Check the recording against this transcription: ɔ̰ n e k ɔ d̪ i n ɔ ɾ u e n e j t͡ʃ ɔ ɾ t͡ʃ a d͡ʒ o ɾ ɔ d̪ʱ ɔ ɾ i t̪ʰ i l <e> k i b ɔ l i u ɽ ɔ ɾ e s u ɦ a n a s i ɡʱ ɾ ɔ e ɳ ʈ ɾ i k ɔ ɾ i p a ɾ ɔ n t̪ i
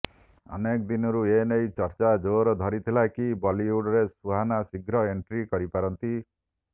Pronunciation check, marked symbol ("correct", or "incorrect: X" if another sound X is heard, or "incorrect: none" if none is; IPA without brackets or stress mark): incorrect: a